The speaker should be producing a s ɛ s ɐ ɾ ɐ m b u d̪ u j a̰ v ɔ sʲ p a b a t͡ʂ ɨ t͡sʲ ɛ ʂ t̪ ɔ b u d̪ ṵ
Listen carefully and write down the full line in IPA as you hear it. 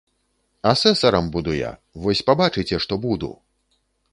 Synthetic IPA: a s ɛ s ɐ ɾ ɐ m b u d̪ u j a̰ v ɔ sʲ p a b a t͡ʂ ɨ t͡sʲ ɛ ʂ t̪ ɔ b u d̪ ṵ